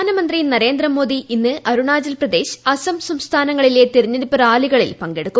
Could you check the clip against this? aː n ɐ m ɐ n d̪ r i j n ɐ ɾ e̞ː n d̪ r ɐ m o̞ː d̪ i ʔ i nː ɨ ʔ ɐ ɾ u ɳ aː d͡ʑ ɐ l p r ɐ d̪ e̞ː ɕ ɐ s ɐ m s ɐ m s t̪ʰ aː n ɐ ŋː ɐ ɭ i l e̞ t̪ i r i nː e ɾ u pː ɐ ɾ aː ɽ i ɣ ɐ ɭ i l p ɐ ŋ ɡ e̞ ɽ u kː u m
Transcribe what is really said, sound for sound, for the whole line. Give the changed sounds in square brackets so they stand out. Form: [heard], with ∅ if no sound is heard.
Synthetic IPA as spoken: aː n ɐ m ɐ n d̪ r i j n ɐ ɾ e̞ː n d̪ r ɐ m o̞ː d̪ i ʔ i nː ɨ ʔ ɐ ɾ u ɳ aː d͡ʑ ɐ l p r ɐ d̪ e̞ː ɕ ɐ s ɐ m s ɐ m s t̪ʰ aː n ɐ ŋː ɐ ɭ i l e̞ t̪ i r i [ɲː] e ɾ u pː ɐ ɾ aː [l] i ɣ ɐ ɭ i l p ɐ ŋ ɡ e̞ ɽ u kː u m